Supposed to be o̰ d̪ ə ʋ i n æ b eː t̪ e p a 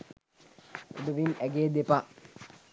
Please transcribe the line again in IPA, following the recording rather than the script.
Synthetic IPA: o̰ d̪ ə ʋ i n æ ɡ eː d̪ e p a

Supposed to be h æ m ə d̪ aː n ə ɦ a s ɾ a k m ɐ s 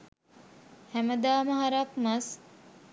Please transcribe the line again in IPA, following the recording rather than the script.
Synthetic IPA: h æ m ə d̪ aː m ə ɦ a ɾ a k m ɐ s

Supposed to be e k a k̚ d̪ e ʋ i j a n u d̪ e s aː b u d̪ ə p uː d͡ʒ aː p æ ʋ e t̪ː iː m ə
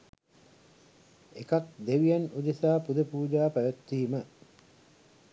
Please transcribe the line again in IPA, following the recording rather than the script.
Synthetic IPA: e k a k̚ d̪ e ʋ i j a n u d̪ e s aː p u d̪ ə p uː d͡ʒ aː p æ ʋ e t̪ː iː m ə

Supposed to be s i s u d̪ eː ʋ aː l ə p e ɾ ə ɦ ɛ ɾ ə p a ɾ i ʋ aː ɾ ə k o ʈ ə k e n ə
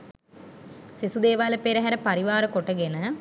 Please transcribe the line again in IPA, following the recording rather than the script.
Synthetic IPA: s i s u d̪ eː ʋ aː l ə p e ɾ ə ɦ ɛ ɾ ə p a ɾ i ʋ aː ɾ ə k o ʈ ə ɡ e n ə

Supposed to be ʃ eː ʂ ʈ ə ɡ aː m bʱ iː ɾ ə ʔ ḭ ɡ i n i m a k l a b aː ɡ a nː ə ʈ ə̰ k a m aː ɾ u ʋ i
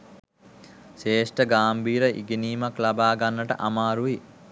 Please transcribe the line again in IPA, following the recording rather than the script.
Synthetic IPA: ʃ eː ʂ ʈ ə ɡ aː m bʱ iː ɾ ə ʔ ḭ ɡ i n iː m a k l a b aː ɡ a nː ə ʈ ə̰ ʔ a m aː ɾ u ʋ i

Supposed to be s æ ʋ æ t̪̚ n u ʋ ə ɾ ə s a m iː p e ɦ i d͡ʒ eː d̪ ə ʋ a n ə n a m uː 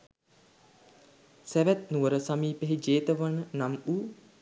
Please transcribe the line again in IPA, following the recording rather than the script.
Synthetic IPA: s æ ʋ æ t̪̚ n u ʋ ə ɾ ə s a m iː p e ɦ i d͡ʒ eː t̪ ə ʋ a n ə n a m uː

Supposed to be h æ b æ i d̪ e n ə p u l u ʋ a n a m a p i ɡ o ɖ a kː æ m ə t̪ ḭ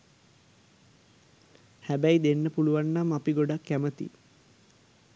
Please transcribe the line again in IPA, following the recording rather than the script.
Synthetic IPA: h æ b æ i d̪ e nː ə p u l u ʋ a nː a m a p i ɡ o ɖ a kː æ m ə t̪ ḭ

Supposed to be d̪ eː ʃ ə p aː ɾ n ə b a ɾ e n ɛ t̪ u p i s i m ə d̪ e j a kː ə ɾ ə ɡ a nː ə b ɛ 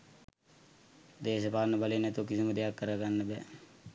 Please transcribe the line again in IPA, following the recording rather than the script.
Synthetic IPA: d̪ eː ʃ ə p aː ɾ n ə b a l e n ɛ t̪ u k i s i m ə d̪ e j a kː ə ɾ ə ɡ a nː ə b ɛ

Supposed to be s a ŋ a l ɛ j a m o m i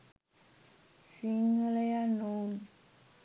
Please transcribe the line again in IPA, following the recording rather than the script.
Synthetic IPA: s i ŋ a l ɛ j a n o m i

